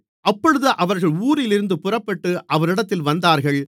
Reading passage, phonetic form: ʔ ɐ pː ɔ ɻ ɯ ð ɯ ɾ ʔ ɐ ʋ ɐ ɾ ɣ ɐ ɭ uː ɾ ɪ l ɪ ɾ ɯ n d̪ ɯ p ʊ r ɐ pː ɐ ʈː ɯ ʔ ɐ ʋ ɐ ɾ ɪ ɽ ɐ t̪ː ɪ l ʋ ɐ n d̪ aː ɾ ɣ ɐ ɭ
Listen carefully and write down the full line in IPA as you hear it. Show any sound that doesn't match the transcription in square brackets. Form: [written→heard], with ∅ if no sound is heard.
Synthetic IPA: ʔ ɐ pː ɔ ɻ ɯ ð ɯ [ɾ→∅] ʔ ɐ ʋ ɐ ɾ ɣ ɐ ɭ uː ɾ ɪ l ɪ ɾ ɯ n d̪ ɯ p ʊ r ɐ pː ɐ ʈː ɯ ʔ ɐ ʋ ɐ ɾ ɪ ɽ ɐ t̪ː ɪ l ʋ ɐ n d̪ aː ɾ ɣ ɐ ɭ